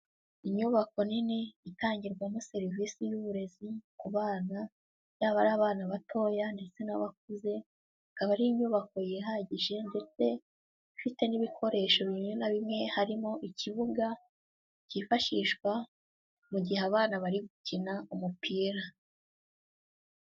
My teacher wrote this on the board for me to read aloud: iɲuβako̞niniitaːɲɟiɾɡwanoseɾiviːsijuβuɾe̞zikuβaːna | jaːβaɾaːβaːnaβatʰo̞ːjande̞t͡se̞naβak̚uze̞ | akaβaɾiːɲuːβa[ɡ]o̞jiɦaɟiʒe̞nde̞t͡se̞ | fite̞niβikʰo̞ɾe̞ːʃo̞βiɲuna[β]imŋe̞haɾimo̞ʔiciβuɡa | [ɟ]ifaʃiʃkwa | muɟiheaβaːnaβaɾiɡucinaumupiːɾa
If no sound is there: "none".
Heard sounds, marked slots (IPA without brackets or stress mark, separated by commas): k, β, c